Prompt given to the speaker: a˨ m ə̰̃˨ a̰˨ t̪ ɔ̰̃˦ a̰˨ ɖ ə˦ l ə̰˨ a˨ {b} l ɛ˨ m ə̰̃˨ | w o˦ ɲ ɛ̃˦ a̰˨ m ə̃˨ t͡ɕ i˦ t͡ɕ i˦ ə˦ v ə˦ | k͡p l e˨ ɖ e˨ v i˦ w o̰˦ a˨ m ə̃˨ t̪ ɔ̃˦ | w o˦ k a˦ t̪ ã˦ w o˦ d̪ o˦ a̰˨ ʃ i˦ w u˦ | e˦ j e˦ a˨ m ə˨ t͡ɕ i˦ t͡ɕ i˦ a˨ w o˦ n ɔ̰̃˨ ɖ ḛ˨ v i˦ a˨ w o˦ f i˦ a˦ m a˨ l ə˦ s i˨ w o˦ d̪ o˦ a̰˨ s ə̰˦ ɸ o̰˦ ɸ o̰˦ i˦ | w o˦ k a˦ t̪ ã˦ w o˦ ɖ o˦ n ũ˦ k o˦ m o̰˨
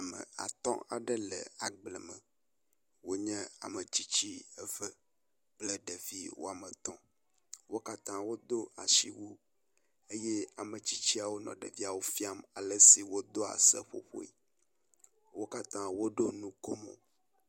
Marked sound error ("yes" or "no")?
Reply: yes